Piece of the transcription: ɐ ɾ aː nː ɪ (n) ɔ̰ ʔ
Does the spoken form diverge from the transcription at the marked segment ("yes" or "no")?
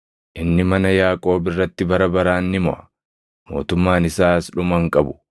yes